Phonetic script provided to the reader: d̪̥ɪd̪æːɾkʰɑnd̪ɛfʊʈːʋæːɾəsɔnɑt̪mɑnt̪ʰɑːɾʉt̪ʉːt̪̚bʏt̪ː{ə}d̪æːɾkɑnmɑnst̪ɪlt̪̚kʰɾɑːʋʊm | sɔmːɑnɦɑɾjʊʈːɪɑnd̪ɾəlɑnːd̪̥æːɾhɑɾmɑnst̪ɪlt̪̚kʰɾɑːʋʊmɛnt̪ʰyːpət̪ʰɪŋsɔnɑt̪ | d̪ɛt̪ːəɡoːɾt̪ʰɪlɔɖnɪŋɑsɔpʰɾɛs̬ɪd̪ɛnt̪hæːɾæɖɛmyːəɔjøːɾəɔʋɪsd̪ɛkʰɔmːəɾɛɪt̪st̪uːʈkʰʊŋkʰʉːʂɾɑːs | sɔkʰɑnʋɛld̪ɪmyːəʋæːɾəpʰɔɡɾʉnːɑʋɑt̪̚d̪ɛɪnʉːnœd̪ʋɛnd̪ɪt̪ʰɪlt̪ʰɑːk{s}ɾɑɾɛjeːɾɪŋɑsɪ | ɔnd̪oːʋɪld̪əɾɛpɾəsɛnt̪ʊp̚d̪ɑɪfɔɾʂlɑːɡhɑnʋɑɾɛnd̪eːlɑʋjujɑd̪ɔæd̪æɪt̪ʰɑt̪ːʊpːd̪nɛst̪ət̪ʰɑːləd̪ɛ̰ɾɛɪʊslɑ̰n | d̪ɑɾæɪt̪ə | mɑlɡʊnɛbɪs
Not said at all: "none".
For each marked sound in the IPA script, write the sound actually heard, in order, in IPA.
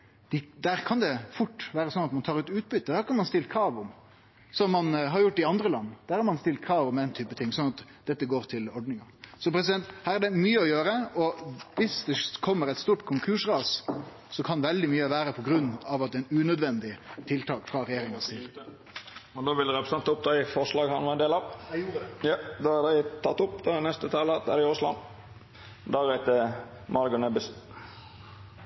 ə, f

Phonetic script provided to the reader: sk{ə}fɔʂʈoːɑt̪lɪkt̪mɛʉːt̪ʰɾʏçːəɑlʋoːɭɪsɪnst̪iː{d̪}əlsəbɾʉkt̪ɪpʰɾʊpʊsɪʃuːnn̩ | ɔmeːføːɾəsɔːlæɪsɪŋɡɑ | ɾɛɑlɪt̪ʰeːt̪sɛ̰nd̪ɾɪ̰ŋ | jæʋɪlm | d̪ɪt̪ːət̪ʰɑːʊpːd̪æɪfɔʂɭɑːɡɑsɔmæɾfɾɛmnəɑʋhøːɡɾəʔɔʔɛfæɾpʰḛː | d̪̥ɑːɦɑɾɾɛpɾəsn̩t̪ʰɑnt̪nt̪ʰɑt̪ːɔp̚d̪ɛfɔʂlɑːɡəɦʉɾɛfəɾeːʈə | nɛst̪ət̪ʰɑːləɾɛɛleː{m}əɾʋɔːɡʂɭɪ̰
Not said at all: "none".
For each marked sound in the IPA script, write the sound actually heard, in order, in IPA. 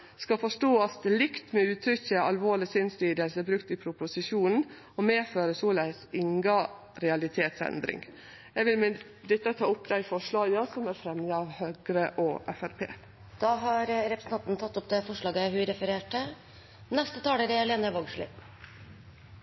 ɑ, d̪, n

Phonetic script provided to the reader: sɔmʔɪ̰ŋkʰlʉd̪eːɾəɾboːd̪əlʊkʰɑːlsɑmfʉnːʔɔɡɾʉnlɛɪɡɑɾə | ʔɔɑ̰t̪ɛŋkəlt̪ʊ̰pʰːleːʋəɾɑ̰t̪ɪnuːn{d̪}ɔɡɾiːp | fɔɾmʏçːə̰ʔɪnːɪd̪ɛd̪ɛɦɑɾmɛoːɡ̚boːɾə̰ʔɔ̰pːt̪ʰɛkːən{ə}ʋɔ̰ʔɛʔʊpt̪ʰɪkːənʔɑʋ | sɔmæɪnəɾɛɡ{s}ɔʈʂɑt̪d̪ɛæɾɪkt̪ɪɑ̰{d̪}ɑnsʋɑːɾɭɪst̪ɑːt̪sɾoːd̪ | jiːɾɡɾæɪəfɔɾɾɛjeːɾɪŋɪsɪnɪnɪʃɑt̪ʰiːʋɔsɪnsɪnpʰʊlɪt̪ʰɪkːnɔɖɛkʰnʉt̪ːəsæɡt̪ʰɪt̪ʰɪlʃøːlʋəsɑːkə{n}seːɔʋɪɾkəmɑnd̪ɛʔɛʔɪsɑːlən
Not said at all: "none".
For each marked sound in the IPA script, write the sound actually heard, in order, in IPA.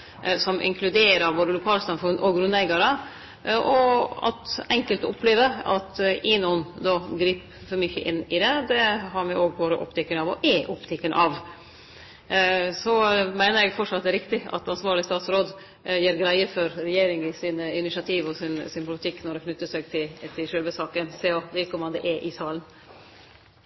d̪, ɑ, f, t̪, n

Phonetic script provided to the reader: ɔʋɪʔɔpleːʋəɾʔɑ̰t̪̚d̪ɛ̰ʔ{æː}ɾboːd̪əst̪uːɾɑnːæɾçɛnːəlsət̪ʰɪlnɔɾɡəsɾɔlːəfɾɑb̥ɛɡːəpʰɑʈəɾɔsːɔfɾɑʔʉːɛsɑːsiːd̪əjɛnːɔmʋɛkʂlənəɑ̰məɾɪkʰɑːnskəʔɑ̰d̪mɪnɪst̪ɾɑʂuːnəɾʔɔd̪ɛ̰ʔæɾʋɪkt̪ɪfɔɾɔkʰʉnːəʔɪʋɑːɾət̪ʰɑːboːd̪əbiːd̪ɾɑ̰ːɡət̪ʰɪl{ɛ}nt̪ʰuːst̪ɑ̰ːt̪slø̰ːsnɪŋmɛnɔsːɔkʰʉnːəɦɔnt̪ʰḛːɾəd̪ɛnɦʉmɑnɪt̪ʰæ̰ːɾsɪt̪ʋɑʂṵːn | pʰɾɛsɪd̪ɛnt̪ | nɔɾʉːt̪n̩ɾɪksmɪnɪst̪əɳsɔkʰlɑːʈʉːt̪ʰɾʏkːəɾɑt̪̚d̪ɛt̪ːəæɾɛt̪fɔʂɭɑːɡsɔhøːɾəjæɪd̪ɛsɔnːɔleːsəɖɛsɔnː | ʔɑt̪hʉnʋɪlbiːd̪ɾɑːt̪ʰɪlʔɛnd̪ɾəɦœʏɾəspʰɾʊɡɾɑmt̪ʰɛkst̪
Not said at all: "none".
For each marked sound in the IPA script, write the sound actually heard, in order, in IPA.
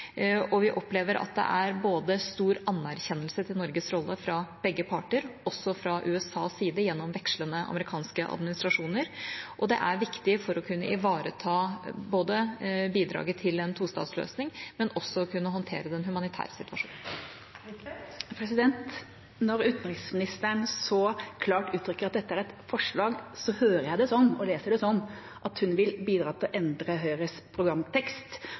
æ, ɛ

